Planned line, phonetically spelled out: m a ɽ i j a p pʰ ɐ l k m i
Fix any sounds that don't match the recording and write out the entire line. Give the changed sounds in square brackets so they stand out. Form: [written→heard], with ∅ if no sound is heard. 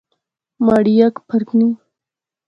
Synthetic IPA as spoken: m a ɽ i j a [p→k] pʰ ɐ [l→ɾ] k [m→n] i